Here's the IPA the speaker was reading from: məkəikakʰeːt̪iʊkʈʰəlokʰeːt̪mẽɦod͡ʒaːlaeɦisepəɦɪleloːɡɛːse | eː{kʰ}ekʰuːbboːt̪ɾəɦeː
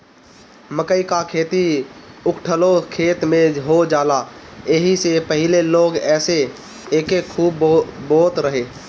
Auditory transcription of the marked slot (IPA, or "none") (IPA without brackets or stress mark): k